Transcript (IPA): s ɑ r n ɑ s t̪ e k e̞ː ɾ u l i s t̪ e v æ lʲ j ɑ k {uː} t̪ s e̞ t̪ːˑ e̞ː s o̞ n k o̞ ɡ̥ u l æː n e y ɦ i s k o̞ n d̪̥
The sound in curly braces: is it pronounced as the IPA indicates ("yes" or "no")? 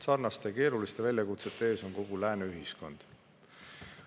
no